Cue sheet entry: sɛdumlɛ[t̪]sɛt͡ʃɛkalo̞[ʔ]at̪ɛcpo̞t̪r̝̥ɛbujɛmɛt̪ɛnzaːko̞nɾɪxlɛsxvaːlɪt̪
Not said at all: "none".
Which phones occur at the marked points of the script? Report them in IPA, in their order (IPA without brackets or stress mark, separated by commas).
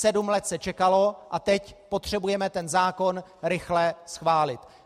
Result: t̪, ʔ